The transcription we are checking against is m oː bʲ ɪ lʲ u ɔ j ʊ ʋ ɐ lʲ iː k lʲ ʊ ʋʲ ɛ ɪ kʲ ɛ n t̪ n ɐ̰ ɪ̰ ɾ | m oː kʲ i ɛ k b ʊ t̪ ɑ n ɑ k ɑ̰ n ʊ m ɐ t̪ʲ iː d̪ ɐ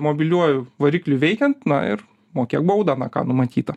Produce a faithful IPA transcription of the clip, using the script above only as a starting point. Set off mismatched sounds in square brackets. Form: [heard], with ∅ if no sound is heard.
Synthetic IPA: m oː bʲ ɪ lʲ u ɔ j ʊ ʋ ɐ [ɾʲ] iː k lʲ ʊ ʋʲ ɛ ɪ kʲ ɛ n t̪ n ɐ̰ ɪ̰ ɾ | m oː kʲ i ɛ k b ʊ [d̪] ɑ n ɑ k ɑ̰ n ʊ m ɐ t̪ʲ iː [t̪] ɐ